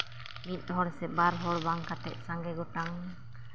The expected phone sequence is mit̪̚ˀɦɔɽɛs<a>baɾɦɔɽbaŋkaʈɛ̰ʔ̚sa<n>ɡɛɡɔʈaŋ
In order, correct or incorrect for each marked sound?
incorrect, incorrect

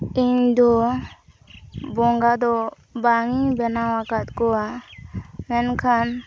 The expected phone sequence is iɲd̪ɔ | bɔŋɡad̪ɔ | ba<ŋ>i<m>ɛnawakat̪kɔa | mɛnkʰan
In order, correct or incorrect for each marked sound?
correct, incorrect

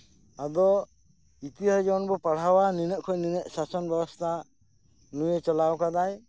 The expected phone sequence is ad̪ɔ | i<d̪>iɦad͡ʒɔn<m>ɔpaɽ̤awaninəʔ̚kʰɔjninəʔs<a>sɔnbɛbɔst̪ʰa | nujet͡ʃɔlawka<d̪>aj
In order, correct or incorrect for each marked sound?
incorrect, incorrect, correct, correct

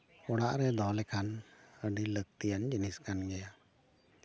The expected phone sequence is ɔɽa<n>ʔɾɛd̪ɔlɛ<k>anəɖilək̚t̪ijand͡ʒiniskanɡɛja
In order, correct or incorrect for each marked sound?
incorrect, incorrect

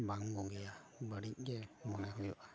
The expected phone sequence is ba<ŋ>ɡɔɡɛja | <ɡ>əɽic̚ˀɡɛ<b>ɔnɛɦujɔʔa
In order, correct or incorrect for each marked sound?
correct, incorrect, incorrect

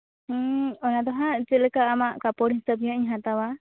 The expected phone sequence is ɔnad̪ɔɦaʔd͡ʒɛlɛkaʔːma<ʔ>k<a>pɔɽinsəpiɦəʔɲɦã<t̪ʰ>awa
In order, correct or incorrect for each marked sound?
correct, correct, incorrect

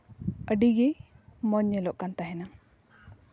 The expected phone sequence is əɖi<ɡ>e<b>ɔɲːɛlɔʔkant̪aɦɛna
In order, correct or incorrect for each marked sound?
correct, incorrect

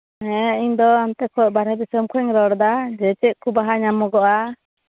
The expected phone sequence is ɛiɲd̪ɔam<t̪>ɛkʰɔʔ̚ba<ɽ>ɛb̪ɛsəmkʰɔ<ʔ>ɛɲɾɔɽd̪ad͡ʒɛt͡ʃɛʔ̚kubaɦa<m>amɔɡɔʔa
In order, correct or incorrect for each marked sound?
correct, incorrect, incorrect, incorrect

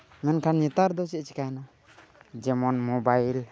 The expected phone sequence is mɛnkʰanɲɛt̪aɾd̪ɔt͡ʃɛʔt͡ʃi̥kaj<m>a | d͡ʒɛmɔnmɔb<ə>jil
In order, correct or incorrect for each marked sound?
incorrect, incorrect

